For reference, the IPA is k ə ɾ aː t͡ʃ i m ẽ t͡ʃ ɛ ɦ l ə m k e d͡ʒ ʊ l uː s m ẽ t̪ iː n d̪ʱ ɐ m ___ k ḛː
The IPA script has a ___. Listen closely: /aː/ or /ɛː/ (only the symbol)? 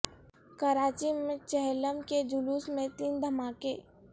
aː